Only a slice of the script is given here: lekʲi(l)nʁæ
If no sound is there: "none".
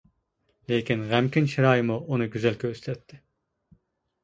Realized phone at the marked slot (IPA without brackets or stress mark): none